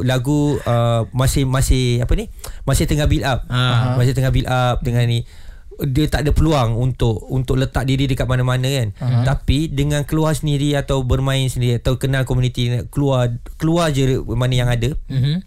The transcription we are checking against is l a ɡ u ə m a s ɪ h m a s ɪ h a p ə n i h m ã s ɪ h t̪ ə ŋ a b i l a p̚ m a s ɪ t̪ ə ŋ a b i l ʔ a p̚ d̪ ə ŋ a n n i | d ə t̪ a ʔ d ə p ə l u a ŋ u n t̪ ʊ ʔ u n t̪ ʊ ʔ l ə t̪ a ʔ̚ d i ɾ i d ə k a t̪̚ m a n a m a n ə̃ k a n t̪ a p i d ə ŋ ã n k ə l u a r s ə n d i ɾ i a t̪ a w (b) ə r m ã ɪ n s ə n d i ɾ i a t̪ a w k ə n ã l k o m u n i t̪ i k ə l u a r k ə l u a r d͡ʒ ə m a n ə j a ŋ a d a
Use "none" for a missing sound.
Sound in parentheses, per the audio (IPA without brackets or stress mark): b